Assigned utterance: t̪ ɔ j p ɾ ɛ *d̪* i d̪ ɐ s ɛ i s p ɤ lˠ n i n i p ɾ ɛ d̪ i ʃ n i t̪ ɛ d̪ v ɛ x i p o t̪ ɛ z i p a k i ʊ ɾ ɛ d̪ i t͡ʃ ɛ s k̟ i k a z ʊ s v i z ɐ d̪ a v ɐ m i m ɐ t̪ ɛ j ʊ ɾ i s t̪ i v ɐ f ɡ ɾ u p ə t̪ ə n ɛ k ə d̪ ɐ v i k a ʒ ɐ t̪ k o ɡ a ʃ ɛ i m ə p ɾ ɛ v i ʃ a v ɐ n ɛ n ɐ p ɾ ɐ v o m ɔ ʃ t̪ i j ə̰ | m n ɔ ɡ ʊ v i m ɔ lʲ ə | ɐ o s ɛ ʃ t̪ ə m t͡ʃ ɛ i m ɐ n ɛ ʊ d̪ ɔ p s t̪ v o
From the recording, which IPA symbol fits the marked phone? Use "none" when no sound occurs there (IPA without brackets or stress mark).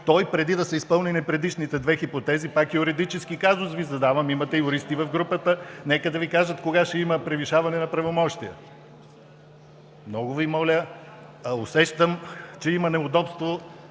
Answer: d̪